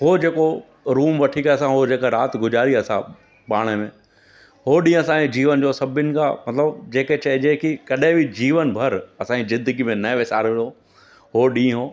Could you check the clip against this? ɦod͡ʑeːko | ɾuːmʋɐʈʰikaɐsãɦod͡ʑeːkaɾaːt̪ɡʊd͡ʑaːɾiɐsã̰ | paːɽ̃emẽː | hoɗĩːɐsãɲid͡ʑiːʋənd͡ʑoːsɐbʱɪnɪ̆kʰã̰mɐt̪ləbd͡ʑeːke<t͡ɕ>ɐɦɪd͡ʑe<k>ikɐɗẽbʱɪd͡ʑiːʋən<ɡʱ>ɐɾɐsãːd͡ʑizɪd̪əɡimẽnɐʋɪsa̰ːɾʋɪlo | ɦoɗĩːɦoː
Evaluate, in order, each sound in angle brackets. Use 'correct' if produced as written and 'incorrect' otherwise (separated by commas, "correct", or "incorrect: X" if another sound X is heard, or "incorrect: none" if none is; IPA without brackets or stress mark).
correct, correct, incorrect: bʱ